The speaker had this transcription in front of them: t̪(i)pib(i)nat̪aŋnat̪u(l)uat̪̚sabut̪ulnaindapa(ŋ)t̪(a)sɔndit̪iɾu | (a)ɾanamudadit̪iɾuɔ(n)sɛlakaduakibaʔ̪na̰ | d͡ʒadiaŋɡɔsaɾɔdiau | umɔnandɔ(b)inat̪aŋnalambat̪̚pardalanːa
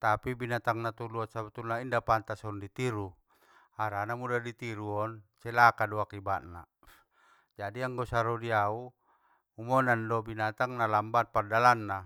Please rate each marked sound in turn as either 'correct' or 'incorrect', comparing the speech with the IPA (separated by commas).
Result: incorrect, correct, correct, incorrect, correct, correct, correct, correct